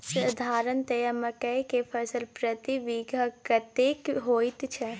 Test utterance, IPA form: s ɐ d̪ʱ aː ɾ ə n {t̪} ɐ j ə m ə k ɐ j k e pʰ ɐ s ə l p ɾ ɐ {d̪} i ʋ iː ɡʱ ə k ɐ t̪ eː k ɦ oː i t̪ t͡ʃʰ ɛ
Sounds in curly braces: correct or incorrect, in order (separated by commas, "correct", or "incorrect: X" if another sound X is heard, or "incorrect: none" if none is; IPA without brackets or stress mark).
correct, incorrect: t̪